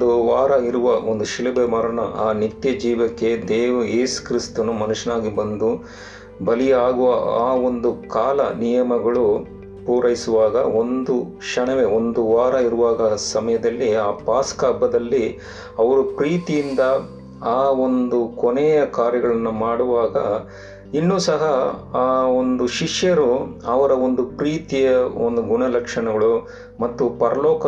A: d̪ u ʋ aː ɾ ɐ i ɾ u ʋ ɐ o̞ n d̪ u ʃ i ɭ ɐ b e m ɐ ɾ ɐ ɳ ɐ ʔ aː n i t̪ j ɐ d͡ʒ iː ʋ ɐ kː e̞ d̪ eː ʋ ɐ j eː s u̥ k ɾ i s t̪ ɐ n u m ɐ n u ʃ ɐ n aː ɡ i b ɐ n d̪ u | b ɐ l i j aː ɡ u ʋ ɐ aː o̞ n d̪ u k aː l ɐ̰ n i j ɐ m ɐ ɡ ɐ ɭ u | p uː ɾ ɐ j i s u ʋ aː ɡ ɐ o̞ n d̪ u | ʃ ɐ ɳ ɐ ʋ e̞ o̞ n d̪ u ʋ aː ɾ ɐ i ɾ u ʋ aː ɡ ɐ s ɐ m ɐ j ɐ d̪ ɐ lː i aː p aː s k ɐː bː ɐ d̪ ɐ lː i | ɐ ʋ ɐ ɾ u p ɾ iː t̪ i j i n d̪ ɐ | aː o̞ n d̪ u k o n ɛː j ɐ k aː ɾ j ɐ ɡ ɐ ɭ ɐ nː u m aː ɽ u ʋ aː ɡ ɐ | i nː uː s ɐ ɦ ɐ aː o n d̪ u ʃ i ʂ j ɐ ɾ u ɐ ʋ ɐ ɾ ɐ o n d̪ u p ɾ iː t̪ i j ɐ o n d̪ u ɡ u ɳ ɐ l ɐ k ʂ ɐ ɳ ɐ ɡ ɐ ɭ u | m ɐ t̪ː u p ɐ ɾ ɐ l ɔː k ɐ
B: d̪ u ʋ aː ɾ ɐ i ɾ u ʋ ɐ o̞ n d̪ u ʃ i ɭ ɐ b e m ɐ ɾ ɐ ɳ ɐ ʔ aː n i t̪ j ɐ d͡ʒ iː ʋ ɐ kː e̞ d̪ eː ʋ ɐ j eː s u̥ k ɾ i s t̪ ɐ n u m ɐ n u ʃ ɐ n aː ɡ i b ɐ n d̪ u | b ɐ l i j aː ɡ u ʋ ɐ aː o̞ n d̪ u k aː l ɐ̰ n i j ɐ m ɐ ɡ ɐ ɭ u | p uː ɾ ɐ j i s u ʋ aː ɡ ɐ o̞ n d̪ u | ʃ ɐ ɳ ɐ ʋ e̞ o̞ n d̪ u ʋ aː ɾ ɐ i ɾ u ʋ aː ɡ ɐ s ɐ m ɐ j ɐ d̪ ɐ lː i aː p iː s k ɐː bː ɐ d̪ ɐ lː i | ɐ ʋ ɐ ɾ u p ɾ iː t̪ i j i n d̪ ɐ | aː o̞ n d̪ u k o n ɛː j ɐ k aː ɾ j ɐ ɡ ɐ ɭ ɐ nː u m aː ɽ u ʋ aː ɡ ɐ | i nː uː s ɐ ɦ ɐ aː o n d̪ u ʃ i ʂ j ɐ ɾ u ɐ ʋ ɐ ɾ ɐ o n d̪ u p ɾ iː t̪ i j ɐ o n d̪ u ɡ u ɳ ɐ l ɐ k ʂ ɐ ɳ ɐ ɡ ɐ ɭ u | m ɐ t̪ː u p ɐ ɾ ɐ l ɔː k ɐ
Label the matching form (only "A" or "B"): A